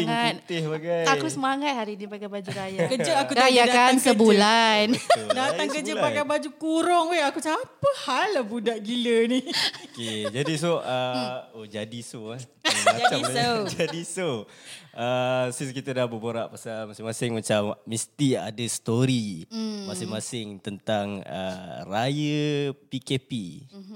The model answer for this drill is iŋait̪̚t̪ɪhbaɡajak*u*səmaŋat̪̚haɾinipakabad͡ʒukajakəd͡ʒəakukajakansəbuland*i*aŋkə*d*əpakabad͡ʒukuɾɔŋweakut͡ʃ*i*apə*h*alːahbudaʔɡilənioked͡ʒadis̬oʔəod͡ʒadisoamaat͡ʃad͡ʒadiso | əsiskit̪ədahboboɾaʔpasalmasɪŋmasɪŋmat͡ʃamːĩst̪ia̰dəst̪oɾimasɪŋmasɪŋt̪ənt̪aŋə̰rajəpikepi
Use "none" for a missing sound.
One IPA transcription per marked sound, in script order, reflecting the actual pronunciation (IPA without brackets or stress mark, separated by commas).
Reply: u, a, d͡ʒ, a, h